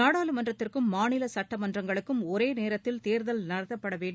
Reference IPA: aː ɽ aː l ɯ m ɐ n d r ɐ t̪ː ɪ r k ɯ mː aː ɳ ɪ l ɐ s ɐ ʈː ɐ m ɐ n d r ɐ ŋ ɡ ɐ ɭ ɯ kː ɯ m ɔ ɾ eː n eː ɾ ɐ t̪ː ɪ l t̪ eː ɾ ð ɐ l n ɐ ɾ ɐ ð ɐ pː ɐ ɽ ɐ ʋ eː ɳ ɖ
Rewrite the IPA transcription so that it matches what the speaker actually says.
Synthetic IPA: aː ɽ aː l ɯ m ɐ n d r ɐ t̪ː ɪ r k ɯ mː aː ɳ ɪ l ɐ s ɐ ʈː ɐ m ɐ n d r ɐ ŋ ɡ ɐ ɭ ɯ kː ɯ m ɔ ɾ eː n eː ɾ ɐ t̪ː ɪ l t̪ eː ɾ ð ɐ l n ɐ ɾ ɐ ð ɐ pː ɐ ɽ ɐ ʋ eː ɳ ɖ